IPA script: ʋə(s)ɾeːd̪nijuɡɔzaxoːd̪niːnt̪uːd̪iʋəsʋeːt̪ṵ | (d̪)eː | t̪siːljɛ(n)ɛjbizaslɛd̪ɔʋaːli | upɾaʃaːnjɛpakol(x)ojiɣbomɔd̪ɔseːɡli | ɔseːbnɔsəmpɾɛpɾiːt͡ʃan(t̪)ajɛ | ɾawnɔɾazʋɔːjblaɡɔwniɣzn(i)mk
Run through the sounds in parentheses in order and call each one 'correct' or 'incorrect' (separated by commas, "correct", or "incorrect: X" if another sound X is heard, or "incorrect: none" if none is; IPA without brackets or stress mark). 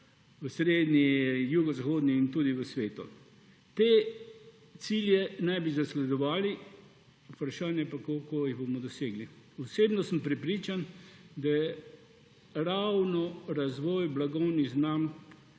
correct, incorrect: t̪, correct, incorrect: k, incorrect: d̪, incorrect: a